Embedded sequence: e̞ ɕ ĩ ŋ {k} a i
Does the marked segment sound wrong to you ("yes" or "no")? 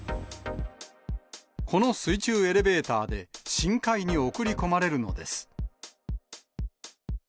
no